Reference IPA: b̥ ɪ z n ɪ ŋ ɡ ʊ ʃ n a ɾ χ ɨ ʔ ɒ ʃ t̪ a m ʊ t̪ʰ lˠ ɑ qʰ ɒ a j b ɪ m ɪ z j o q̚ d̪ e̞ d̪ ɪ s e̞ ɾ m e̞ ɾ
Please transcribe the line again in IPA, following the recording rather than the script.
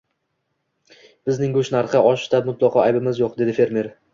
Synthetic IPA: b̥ ɪ z n ɪ ŋ ɡ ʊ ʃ n a ɾ χ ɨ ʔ ɒ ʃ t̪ a m ʊ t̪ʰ lˠ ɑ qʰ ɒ a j b ɪ m ɪ z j o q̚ d̪ e̞ d̪ ɪ f e̞ ɾ m e̞ ɾ